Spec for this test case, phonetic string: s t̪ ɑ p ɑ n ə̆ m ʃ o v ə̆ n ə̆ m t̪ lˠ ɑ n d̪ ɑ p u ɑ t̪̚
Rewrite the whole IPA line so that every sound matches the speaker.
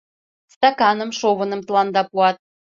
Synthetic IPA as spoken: s t̪ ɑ k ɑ n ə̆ m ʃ o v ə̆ n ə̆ m t̪ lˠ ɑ n d̪ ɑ p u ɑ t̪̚